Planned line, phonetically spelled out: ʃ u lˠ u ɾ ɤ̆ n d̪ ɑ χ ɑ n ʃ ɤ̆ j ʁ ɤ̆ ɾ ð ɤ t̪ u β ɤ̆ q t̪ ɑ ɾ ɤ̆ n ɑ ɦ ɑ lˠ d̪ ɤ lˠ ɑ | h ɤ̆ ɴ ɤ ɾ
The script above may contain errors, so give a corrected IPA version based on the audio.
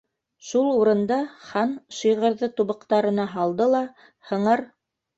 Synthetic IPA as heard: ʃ u lˠ u ɾ ɤ̆ n d̪ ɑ χ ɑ n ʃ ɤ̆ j ʁ ɤ̆ ɾ ð ɤ t̪ u β ɤ̆ q t̪ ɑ ɾ ɤ̆ n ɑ ɦ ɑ lˠ d̪ ɤ lˠ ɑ | h ɤ̆ ɴ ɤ ɾ